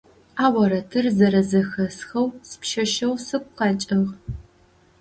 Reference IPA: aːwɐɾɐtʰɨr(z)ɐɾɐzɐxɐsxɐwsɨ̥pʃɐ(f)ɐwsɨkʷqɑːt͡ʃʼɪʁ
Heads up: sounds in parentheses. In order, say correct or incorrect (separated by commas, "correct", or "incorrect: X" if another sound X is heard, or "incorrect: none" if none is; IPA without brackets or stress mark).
correct, incorrect: ʃ